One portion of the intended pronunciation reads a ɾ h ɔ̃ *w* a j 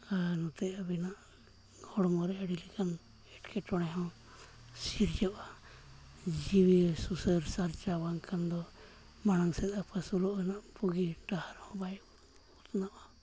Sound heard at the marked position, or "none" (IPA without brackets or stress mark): b